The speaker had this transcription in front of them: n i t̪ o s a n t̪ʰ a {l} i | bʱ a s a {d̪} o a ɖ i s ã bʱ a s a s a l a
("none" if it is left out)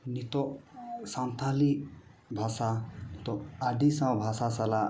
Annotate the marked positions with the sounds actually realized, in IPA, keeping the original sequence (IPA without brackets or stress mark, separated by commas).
l, t̪